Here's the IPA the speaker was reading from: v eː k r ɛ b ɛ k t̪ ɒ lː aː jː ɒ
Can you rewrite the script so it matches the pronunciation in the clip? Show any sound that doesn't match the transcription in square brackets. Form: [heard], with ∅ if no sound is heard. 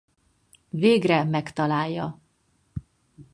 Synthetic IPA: v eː [ɡ] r ɛ [m] ɛ k t̪ ɒ [l] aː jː ɒ